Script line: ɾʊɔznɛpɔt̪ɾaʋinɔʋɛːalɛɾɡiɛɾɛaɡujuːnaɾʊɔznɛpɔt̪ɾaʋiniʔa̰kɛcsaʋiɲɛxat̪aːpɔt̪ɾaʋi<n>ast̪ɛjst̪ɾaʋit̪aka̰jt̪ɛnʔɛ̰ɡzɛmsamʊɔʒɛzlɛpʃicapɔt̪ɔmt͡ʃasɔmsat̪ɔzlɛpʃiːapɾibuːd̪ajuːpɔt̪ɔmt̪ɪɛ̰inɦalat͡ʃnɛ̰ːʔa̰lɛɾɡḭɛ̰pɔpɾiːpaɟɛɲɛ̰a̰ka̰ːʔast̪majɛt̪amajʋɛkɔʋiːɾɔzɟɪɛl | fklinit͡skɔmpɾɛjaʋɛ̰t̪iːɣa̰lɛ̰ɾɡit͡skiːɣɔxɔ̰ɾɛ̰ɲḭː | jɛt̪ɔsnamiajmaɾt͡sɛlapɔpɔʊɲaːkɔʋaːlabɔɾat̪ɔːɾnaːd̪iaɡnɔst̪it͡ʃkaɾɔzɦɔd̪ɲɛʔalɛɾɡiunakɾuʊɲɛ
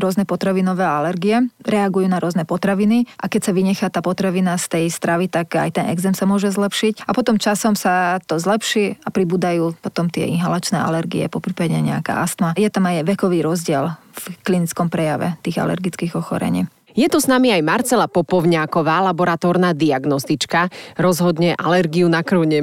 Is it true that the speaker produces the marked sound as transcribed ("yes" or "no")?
yes